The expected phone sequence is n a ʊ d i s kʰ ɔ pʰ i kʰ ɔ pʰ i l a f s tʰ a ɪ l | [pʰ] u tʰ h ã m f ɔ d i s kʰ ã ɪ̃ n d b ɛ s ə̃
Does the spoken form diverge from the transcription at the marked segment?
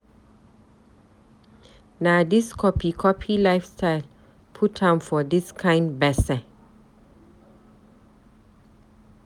no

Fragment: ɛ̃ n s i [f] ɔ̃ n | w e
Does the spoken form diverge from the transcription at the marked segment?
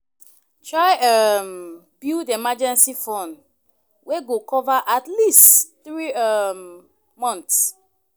no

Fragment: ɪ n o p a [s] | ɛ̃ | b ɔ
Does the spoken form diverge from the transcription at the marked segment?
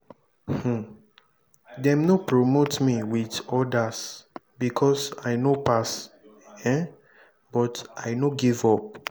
no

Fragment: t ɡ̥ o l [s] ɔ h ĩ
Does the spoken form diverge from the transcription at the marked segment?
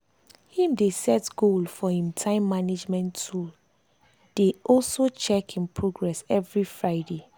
yes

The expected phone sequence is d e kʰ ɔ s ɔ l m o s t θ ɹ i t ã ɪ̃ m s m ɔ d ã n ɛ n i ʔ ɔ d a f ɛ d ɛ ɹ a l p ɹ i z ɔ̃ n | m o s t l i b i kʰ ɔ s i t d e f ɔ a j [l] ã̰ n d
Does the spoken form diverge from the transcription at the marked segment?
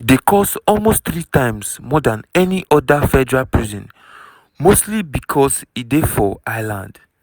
no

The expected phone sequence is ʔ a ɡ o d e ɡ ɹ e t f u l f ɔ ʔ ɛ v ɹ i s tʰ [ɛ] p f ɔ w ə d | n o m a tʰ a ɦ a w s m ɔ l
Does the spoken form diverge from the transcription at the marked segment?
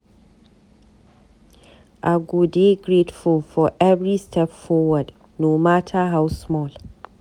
no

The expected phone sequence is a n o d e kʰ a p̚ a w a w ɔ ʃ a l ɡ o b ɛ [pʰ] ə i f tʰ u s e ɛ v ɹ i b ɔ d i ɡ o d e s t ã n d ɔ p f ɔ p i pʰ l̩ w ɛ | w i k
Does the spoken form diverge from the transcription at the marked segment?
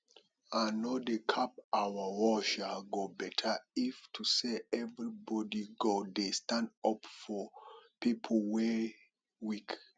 yes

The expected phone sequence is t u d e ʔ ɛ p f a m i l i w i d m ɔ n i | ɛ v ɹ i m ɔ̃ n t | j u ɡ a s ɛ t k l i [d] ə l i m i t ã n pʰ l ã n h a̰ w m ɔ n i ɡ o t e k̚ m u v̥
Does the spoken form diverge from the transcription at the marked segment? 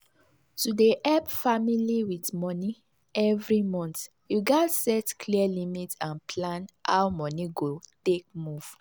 yes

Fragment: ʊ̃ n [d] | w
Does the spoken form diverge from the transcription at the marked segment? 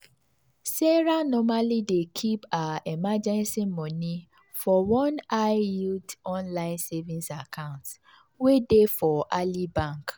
yes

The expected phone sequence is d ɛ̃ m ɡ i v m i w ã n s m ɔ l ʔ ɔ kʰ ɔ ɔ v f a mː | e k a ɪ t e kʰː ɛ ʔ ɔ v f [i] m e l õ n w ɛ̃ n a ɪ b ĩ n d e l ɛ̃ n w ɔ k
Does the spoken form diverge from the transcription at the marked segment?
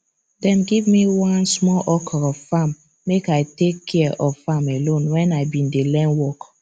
yes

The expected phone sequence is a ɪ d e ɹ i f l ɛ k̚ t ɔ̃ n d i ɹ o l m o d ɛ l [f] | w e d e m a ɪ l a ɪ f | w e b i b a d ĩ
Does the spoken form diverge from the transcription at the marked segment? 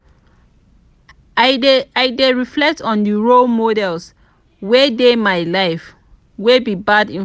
yes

